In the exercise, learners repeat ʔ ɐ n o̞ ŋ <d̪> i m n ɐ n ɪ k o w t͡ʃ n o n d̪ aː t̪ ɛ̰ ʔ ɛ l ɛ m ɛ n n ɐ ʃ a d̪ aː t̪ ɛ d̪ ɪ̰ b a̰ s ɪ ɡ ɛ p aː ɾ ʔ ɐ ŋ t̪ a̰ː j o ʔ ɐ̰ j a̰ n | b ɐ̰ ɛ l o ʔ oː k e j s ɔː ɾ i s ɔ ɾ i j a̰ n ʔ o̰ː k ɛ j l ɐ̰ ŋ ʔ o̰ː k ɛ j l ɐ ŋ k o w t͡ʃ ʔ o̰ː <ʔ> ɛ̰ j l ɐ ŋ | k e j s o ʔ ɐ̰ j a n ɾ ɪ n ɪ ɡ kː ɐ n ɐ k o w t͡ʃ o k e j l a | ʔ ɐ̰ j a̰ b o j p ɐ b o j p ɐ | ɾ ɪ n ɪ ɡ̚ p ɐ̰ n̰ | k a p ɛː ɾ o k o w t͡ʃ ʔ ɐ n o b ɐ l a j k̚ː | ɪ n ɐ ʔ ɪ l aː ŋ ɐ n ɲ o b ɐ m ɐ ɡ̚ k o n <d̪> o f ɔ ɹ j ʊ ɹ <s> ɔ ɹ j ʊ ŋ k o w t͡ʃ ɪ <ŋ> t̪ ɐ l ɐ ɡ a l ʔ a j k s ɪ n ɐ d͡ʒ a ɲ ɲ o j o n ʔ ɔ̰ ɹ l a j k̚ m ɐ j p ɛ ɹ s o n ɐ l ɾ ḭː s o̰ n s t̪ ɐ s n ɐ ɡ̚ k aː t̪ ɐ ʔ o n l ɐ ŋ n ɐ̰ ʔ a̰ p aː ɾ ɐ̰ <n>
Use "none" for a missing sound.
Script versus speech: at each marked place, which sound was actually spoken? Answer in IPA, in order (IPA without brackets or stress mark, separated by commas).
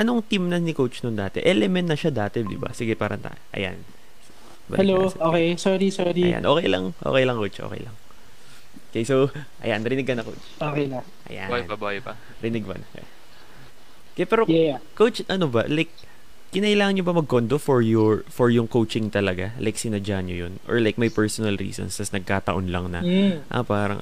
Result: t̪, k, d̪, f, ŋ, ŋ